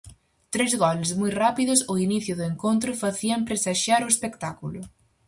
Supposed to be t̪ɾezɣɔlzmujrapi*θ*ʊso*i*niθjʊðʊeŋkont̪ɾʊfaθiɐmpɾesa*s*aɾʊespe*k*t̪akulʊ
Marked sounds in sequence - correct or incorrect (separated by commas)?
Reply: incorrect, correct, incorrect, correct